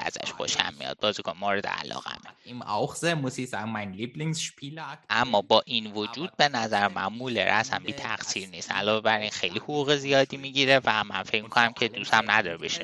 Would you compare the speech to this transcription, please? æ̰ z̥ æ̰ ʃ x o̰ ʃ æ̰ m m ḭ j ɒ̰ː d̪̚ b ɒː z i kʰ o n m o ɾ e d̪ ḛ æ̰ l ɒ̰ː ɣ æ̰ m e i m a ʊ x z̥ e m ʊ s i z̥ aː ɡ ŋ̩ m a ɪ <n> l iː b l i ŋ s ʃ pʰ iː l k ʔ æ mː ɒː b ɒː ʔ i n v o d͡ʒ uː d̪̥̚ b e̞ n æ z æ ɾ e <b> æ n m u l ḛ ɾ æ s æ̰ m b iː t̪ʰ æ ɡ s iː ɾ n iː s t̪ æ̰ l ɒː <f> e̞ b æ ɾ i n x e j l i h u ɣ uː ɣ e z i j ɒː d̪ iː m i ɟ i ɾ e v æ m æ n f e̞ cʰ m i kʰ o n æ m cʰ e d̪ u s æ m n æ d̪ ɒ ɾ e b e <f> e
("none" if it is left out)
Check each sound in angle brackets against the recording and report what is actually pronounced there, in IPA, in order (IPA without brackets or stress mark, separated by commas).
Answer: n, m, v, ʃ